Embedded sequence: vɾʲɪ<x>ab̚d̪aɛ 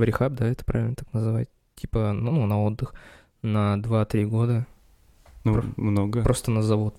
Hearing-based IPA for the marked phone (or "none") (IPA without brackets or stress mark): x